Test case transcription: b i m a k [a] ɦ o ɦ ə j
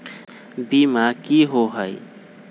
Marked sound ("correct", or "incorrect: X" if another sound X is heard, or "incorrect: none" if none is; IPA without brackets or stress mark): incorrect: i